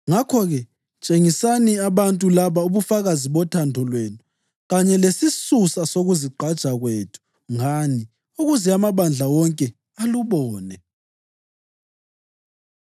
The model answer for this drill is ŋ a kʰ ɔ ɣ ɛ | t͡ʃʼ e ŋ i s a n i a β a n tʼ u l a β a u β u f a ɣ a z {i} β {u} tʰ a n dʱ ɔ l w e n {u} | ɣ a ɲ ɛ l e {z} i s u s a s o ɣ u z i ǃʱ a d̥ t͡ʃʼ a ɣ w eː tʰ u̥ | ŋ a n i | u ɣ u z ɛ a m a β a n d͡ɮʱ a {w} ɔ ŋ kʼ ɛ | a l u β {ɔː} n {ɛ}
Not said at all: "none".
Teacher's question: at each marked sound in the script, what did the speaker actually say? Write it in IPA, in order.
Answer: i, ɔ, u, s, w, ɔː, ɛ

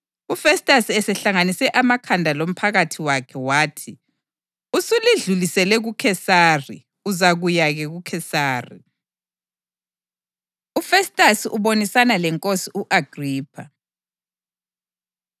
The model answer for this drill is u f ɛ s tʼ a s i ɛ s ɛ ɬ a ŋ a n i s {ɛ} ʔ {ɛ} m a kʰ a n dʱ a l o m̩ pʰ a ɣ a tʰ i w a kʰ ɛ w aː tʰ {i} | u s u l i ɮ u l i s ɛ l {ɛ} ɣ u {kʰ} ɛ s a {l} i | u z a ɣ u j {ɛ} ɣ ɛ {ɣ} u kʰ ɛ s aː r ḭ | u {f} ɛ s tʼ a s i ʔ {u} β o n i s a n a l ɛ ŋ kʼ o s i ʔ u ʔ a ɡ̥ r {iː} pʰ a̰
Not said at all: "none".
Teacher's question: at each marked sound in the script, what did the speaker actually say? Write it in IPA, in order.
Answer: ɛ, a, i, ɛ, kʰ, r, a, ɣ, f, u, iː

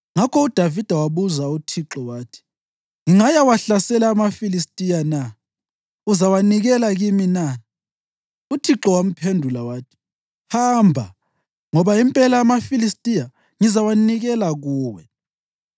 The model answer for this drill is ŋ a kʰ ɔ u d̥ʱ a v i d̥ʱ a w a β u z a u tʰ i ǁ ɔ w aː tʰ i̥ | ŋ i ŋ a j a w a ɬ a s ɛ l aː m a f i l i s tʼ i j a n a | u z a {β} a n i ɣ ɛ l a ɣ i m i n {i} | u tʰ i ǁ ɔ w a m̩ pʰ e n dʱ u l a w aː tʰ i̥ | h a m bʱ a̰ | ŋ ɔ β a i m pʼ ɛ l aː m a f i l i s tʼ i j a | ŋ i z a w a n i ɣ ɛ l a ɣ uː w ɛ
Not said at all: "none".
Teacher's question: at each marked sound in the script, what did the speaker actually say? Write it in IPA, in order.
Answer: w, a

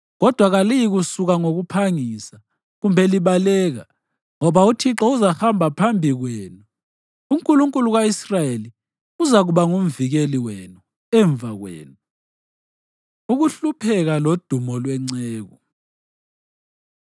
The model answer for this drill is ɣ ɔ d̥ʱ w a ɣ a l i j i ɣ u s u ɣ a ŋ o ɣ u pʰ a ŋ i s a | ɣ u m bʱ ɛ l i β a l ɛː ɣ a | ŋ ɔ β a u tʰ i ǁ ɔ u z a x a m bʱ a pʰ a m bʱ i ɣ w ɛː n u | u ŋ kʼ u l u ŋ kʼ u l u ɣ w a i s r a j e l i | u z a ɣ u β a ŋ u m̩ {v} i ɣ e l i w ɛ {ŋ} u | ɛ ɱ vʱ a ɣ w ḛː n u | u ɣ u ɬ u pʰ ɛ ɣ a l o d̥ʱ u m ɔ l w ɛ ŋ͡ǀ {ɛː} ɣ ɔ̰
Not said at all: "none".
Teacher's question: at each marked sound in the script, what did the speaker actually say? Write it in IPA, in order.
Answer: v, n, ɛː

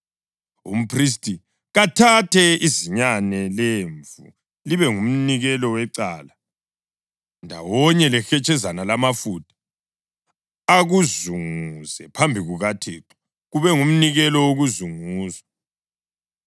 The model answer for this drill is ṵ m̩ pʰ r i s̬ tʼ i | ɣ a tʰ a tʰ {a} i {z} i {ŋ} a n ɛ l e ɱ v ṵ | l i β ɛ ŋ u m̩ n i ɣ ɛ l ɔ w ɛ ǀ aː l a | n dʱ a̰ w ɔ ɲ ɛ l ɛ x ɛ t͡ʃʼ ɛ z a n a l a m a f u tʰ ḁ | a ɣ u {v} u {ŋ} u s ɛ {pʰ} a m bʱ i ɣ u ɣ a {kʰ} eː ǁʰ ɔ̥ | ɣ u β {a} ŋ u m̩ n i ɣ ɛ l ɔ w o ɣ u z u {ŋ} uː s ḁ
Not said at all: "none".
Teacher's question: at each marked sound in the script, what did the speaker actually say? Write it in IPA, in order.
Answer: ɛ, z, ɲ, z, ŋ, pʰ, tʰ, ɛ, ŋ

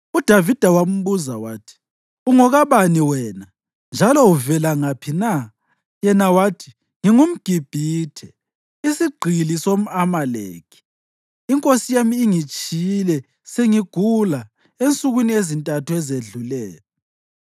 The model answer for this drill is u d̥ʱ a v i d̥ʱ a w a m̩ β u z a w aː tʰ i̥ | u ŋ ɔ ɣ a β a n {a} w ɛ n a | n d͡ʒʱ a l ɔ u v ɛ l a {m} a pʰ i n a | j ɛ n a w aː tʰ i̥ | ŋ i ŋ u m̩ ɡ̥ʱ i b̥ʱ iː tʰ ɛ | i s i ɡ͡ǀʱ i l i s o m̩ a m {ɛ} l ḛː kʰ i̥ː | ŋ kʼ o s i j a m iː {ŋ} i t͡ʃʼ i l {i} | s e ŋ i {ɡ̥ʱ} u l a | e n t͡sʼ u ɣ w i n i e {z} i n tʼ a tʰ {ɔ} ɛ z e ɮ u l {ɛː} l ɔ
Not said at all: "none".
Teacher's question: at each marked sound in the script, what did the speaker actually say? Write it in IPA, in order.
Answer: i, ŋ, a, ŋ, ɛ, ɡ̥ʱ, z, u, ɛː

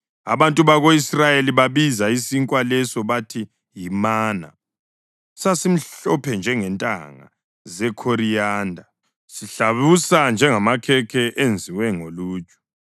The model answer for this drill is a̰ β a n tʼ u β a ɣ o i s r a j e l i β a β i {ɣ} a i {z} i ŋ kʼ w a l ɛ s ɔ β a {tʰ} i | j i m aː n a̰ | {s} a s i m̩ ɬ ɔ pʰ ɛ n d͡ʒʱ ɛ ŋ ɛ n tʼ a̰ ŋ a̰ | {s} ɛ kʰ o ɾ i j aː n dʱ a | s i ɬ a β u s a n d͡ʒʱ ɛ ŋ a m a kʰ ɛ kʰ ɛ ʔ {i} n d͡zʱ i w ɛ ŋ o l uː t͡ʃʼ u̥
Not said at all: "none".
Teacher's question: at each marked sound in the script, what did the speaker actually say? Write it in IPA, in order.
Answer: z, s, tʰ, s, z, e

